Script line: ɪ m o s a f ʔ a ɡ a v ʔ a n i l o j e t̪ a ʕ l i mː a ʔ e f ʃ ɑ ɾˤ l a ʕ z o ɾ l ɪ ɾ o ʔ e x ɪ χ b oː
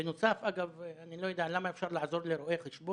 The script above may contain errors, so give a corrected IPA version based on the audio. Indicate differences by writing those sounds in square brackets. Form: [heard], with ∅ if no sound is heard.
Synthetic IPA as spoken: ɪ [n] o s a f ʔ a ɡ a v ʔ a n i l o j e [d̪] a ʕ l [a] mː a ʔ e f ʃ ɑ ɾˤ l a ʕ z o ɾ l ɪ ɾ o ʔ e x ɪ [ʃ] b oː